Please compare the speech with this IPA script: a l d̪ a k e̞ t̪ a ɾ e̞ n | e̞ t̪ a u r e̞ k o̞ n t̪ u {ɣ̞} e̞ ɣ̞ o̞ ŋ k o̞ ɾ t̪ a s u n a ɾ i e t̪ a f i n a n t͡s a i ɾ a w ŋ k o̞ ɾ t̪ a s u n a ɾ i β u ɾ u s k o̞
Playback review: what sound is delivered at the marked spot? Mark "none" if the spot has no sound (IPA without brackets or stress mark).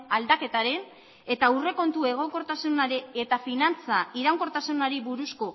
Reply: none